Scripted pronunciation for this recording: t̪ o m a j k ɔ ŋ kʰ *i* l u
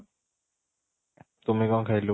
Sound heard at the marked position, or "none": a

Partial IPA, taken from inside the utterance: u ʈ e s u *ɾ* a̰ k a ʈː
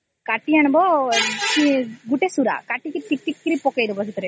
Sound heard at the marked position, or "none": ɾ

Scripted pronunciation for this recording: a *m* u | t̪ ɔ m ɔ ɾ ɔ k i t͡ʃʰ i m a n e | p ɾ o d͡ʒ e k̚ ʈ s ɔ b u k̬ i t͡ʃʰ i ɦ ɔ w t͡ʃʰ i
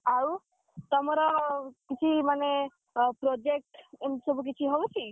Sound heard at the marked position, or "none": none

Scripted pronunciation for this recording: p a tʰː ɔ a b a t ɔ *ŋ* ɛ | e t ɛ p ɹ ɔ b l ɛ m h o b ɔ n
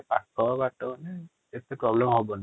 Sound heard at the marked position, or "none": n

